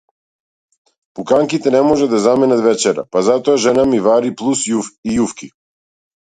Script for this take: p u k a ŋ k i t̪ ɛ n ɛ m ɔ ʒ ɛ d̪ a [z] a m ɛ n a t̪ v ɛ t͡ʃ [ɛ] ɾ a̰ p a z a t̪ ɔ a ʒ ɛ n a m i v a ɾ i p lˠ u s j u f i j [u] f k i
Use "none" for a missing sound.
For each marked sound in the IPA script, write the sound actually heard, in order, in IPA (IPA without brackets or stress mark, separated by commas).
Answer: z, ɛ, u